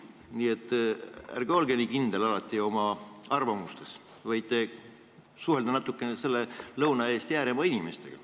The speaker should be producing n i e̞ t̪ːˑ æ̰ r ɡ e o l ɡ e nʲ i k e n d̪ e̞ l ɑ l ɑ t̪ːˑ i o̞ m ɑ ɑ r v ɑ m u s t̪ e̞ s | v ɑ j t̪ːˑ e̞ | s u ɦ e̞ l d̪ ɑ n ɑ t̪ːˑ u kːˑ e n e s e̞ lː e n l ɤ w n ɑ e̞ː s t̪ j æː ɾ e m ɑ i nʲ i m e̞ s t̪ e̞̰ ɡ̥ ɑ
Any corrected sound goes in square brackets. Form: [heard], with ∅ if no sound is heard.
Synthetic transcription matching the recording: n i e̞ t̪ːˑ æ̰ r ɡ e o l ɡ e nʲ i k [i] n d̪ e̞ l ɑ l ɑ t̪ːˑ i o̞ m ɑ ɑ r v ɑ m u s t̪ e̞ s | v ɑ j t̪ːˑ e̞ | s u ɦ e̞ l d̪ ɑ n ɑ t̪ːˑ u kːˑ e n e s e̞ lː e [∅] l ɤ w n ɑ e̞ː s t̪ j æː ɾ e m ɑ i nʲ i m e̞ s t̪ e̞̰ ɡ̥ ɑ